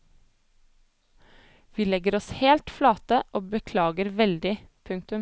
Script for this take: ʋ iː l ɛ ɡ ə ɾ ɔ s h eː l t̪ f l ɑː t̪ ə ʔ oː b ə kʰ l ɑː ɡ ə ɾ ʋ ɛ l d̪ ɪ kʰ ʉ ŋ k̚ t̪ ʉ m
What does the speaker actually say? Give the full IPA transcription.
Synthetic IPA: ʋ iː l ɛ ɡ ə ɾ ɔ s h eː l t̪ f l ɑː t̪ ə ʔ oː b ə kʰ l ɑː ɡ ə ɾ ʋ ɛ l d̪ ɪ pʰ ʉ ŋ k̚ t̪ ʉ m